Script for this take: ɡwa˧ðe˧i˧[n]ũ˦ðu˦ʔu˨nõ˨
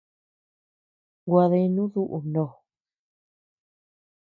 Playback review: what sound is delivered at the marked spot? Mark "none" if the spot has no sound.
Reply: n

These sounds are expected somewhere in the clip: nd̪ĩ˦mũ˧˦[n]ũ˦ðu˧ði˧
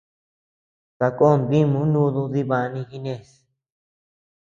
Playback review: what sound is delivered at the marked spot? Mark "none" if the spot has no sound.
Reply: n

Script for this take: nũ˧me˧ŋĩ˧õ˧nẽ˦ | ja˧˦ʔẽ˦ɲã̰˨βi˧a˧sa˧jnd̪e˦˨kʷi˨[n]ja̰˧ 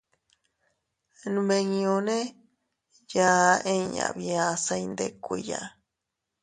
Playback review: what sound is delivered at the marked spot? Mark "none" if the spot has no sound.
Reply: none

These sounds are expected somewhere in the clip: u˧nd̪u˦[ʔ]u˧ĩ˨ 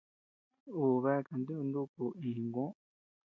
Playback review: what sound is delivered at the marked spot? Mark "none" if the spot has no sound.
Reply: k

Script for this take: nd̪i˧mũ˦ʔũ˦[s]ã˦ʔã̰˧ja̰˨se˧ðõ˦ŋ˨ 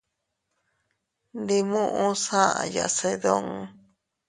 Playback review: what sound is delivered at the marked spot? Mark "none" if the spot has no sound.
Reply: s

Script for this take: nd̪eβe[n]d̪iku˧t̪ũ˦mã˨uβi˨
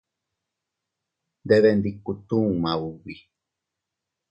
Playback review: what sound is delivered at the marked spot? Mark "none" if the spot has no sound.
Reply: n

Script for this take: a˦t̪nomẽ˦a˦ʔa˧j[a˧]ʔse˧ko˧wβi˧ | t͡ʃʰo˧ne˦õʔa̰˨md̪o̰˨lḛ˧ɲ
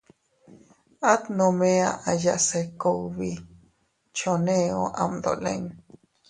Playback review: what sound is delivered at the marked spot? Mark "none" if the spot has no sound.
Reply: a˧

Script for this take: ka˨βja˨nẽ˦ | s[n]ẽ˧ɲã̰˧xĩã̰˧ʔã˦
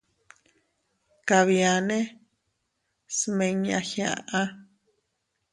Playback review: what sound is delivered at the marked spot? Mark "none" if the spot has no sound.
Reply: m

